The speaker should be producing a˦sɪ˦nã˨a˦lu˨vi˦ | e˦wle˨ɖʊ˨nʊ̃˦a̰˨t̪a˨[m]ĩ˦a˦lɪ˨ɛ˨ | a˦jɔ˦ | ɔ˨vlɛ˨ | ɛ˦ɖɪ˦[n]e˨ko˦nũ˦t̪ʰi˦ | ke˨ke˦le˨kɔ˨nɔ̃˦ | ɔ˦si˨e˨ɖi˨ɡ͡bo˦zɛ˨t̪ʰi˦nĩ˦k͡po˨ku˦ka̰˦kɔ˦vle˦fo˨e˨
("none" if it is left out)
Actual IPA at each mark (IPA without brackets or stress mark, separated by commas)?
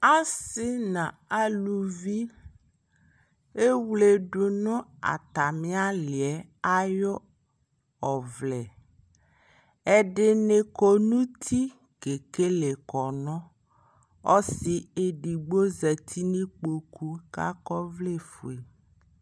m, n